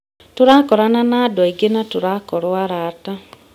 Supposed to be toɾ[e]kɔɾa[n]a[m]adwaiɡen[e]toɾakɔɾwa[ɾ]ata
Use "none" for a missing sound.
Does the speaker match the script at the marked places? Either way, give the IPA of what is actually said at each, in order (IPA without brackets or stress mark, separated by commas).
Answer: a, n, n, a, ɾ